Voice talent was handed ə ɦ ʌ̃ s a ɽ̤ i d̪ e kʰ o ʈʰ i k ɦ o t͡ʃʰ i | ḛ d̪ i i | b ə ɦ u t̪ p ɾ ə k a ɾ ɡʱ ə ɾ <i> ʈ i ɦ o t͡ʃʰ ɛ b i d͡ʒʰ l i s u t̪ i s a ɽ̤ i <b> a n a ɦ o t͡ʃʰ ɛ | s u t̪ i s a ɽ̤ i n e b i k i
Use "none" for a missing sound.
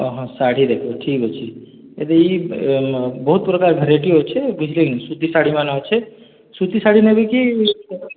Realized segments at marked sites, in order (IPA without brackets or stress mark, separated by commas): e, m